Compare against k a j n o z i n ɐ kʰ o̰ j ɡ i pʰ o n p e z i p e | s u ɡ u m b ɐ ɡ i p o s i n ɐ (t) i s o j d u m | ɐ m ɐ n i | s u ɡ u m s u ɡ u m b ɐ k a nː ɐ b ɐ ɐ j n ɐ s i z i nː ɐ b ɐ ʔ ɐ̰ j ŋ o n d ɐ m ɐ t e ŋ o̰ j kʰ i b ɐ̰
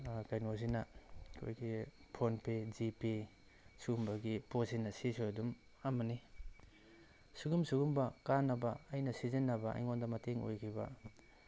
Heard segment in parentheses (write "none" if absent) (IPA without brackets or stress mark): s